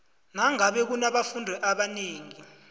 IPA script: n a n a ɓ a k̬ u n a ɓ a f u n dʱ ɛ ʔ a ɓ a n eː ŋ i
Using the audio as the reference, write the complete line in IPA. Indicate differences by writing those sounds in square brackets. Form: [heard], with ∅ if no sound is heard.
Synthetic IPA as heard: n a [ŋ] a ɓ [ɛ] k̬ u n a ɓ a f u n dʱ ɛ ʔ a ɓ a n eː ŋ i